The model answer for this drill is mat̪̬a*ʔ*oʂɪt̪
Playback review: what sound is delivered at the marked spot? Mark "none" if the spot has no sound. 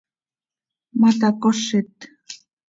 k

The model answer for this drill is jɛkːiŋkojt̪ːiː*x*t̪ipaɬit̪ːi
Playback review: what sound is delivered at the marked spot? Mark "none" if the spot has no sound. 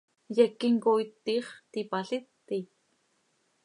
χ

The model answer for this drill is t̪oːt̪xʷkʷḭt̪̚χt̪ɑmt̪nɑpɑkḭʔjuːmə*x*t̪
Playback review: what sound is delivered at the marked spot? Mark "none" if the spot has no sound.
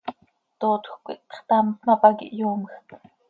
x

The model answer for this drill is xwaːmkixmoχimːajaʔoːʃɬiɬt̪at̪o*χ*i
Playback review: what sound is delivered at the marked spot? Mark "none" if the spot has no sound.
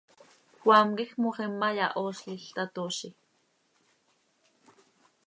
ʃ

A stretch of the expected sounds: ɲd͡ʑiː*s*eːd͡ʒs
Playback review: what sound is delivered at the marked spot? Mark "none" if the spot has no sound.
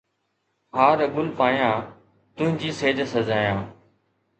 s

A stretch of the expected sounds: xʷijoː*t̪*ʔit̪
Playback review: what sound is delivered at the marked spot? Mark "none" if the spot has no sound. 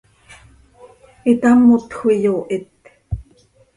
none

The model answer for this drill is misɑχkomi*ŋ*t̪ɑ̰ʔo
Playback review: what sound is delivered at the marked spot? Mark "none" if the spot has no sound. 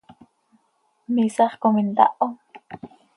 n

